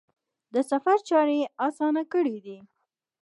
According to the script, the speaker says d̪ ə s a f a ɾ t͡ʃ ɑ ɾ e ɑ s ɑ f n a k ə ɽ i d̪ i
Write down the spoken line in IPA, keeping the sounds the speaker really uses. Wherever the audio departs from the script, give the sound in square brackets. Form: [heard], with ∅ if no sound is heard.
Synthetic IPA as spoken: d̪ ə s a f a ɾ t͡ʃ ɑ ɾ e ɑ s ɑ [∅] n a k ə ɽ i d̪ i